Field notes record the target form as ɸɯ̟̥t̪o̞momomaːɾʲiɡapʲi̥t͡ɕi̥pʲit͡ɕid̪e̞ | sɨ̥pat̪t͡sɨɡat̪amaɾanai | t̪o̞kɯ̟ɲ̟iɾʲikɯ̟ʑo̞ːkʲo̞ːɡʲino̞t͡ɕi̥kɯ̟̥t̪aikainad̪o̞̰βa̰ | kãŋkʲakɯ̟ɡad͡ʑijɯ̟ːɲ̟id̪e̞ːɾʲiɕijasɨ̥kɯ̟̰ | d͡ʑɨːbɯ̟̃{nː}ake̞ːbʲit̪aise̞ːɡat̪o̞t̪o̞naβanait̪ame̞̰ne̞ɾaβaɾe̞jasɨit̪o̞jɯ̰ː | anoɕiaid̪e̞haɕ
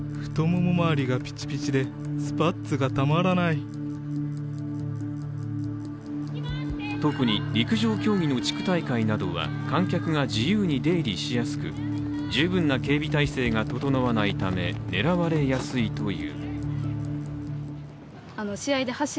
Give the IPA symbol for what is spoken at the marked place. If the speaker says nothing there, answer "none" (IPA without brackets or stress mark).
nː